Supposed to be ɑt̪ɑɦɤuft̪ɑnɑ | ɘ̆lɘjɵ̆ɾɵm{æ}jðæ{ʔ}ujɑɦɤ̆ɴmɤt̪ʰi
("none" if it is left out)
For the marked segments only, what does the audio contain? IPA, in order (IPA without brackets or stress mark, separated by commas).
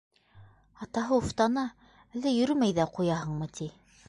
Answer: æ, q